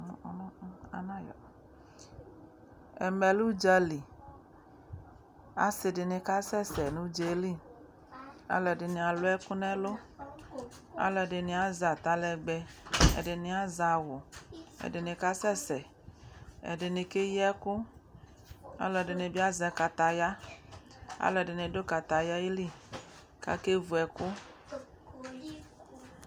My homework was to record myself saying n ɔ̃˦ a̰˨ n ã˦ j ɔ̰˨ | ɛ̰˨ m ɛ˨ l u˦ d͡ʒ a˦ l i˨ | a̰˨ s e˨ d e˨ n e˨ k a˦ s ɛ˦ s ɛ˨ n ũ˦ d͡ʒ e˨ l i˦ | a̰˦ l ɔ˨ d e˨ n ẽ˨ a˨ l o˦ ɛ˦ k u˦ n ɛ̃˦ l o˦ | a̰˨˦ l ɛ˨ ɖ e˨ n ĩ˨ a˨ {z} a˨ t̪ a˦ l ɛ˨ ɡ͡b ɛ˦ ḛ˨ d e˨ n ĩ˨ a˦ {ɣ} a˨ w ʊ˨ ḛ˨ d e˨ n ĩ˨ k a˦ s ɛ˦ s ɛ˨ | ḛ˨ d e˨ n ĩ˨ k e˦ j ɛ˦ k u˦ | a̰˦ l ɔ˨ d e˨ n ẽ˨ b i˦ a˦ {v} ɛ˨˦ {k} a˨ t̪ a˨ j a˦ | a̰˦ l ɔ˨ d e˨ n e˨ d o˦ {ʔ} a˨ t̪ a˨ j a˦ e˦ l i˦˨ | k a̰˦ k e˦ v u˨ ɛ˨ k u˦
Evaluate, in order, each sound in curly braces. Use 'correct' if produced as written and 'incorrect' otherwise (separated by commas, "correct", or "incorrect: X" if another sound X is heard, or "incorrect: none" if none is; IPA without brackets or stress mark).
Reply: correct, incorrect: z, incorrect: z, correct, incorrect: k